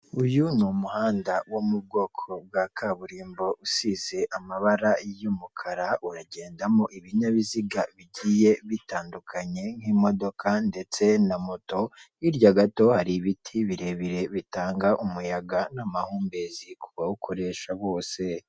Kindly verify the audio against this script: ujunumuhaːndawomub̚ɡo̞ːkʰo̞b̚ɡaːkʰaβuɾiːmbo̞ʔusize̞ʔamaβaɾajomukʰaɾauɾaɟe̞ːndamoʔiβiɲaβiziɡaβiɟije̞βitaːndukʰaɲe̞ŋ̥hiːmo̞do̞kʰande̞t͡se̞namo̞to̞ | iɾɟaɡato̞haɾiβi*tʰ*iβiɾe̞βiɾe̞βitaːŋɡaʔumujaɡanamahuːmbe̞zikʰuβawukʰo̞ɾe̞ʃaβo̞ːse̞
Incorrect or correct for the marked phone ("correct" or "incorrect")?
correct